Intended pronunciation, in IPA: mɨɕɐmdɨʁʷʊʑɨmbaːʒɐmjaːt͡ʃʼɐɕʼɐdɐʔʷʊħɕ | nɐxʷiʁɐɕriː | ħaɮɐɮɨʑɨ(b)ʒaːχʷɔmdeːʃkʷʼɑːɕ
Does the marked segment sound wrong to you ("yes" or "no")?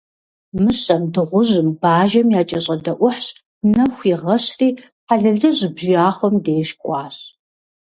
no